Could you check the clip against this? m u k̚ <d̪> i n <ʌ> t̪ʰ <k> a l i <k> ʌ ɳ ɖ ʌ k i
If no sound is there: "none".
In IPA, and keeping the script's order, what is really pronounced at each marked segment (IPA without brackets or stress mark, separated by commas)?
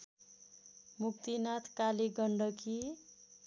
t̪, a, k, ɡ